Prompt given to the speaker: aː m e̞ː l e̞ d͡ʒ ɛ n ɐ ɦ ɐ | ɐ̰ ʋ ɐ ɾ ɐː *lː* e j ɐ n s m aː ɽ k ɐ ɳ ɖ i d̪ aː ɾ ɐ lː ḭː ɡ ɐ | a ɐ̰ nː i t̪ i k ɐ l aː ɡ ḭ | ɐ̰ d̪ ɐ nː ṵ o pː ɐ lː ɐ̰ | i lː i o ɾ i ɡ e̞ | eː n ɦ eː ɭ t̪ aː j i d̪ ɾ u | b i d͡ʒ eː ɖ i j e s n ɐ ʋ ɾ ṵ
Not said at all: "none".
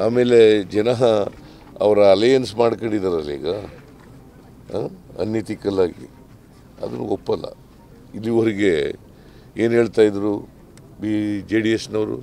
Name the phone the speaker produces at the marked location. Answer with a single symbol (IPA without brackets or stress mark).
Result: l